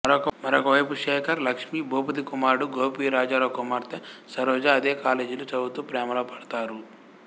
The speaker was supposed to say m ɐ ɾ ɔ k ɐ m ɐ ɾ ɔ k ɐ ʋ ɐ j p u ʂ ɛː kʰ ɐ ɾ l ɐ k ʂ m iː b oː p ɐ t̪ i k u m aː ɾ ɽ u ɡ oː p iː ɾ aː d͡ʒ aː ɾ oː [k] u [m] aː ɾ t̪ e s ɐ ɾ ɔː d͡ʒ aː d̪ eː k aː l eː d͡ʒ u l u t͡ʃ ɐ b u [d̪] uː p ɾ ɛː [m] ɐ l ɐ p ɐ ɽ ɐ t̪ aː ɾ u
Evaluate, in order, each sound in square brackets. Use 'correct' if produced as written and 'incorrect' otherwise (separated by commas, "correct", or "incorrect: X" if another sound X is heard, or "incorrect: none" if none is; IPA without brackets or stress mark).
correct, correct, incorrect: t̪, correct